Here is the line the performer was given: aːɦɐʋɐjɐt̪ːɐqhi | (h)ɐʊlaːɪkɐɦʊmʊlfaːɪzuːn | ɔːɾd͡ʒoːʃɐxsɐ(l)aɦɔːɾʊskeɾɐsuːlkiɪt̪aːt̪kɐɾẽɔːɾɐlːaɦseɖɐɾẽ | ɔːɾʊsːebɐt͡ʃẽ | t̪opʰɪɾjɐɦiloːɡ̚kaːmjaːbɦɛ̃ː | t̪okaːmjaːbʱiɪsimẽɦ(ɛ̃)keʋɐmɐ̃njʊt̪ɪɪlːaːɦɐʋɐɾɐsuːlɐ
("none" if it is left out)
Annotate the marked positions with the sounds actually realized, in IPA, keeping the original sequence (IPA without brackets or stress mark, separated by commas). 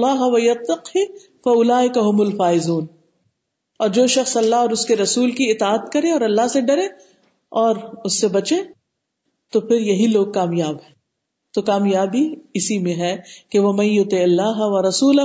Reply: f, lː, ɛ